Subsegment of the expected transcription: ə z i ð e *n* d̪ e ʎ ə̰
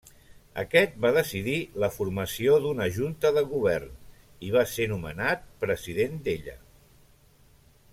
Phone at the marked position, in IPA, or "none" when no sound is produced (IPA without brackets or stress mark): n